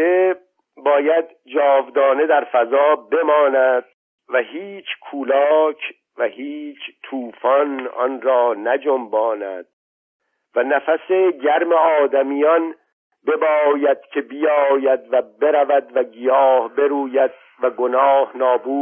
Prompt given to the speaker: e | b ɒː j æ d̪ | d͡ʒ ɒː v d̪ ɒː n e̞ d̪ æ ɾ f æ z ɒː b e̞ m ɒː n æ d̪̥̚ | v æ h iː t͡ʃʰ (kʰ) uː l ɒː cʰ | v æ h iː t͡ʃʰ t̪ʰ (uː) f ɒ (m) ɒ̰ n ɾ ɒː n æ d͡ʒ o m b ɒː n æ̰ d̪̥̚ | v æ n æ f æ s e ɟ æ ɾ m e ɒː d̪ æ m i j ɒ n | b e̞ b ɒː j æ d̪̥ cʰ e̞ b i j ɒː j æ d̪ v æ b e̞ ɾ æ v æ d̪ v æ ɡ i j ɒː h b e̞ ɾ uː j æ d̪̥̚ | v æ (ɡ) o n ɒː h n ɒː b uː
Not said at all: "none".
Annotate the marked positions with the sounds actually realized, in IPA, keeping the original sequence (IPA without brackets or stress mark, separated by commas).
kʰ, uː, n, ɡ